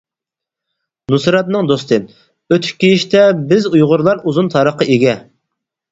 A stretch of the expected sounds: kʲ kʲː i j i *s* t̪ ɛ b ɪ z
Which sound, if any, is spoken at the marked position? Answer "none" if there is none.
ʃ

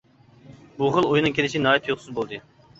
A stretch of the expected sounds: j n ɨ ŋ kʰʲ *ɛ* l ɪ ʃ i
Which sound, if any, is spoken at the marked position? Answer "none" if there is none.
e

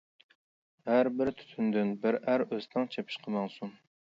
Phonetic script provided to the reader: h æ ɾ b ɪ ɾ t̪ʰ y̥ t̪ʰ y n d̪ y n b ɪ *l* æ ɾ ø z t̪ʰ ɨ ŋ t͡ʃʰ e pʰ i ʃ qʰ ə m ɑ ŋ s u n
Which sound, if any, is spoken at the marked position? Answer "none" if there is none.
ɾ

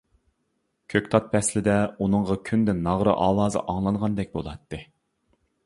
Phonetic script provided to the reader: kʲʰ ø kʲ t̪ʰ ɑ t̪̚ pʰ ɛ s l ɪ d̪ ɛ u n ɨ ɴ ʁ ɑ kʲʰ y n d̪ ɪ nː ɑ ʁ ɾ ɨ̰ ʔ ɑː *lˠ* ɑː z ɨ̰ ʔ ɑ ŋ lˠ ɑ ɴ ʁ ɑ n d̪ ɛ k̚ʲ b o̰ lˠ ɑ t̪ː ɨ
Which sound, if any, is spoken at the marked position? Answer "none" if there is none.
lˠ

